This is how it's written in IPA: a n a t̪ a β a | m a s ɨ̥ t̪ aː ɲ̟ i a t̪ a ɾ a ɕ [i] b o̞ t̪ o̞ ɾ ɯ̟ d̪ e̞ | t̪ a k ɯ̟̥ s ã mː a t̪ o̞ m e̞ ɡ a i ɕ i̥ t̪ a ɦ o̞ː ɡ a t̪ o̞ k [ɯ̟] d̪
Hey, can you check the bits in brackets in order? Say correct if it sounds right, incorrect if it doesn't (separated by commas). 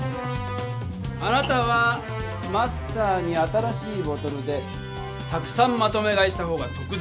incorrect, correct